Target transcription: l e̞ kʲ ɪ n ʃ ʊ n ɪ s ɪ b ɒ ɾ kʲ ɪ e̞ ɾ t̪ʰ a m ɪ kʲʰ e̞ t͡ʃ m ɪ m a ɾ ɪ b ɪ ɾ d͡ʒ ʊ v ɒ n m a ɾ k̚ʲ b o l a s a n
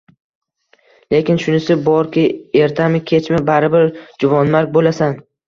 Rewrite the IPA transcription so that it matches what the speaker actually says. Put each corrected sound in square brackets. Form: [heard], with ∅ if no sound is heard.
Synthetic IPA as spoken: l e̞ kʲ ɪ n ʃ ʊ n ɪ s ɪ b ɒ ɾ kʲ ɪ e̞ ɾ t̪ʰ a m ɪ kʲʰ e̞ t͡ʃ m ɪ [b] a ɾ ɪ b ɪ ɾ d͡ʒ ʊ v ɒ n m a ɾ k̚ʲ b o l a s a n